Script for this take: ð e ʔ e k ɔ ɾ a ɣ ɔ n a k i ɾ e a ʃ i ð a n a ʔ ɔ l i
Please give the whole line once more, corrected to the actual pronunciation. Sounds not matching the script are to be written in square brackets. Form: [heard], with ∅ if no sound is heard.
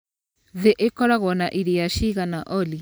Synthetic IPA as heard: ð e ʔ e k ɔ ɾ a ɣ ɔ n a [ʔ] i ɾ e a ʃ i [ɣ] a n a ʔ ɔ l i